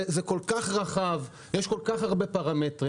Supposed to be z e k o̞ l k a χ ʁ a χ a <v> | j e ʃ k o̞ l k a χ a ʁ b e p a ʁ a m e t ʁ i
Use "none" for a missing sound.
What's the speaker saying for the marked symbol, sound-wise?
v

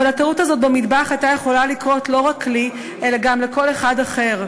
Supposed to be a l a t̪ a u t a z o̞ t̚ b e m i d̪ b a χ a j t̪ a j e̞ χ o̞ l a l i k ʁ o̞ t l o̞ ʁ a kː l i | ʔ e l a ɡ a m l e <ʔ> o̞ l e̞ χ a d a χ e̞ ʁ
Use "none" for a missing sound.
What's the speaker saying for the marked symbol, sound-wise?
k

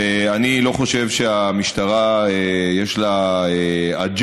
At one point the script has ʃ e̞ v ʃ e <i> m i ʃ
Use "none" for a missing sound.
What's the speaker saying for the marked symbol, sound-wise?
a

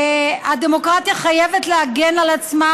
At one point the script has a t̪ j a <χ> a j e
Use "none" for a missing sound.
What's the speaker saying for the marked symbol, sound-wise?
χ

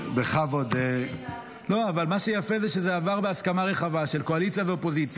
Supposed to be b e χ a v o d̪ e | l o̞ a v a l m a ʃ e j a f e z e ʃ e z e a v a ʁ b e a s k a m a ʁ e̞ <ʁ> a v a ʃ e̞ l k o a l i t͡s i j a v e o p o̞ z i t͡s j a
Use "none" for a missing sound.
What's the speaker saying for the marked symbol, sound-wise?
χ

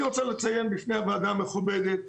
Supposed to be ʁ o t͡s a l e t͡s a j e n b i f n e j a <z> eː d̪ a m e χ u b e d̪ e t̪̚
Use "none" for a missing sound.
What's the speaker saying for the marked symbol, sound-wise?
v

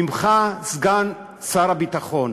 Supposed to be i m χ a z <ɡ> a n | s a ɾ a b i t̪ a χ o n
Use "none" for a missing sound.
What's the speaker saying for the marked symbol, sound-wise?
ɡ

